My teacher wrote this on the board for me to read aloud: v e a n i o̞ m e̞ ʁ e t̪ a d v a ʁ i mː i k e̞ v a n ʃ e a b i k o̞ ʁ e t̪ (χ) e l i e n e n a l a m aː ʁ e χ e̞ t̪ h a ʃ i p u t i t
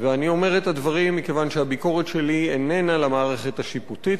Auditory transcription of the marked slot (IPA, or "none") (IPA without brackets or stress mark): ʃ